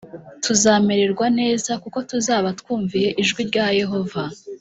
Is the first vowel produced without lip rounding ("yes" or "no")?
no